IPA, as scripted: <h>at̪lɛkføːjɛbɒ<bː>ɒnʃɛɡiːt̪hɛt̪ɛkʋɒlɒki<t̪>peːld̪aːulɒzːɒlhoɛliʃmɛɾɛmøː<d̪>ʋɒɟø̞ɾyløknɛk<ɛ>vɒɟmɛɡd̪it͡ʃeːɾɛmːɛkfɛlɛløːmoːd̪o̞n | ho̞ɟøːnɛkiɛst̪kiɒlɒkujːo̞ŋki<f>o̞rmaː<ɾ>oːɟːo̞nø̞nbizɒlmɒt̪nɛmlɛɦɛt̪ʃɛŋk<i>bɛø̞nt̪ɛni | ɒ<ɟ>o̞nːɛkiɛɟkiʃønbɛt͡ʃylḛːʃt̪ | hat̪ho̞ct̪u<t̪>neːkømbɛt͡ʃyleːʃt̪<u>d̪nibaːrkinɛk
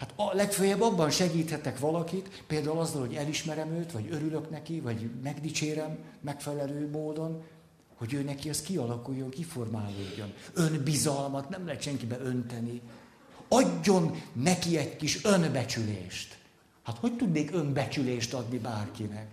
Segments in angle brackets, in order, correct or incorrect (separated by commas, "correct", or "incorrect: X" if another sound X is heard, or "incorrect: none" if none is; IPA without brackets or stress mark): correct, correct, correct, incorrect: t̪, incorrect: i, correct, incorrect: l, correct, incorrect: ɟː, incorrect: d̪, incorrect: ɒ